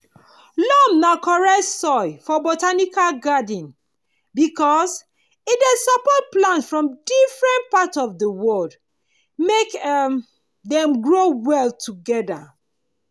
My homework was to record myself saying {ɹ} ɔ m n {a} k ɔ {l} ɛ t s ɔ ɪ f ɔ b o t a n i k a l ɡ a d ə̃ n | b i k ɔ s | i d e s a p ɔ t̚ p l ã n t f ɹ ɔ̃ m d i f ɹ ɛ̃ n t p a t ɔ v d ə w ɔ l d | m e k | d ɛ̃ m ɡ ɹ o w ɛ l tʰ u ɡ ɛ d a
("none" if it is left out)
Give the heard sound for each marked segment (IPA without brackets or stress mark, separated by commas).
l, a, ɹ